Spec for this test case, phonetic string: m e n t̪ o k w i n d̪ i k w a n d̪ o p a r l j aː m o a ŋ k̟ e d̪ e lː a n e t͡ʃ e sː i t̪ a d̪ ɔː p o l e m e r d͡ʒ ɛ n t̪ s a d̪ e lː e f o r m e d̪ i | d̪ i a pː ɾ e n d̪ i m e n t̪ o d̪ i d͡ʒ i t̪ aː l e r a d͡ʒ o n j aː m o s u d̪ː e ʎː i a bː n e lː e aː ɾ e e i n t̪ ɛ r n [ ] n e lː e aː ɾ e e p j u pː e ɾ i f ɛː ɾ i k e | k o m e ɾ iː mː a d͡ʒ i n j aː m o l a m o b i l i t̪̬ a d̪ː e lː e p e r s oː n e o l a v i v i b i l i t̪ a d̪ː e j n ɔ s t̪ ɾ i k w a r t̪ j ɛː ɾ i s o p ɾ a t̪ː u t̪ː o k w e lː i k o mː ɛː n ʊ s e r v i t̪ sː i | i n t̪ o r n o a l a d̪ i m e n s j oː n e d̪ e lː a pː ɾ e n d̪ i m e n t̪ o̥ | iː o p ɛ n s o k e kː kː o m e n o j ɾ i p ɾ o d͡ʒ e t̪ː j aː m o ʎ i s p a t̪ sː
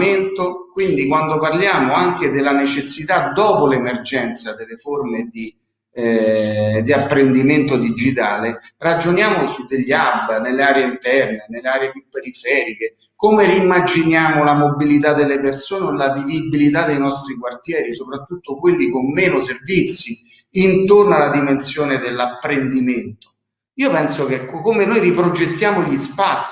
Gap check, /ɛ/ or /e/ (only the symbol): e